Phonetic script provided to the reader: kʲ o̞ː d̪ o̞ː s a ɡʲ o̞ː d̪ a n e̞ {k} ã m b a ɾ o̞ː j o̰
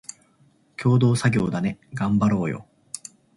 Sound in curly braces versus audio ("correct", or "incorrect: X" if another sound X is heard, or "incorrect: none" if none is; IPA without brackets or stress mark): incorrect: ɡ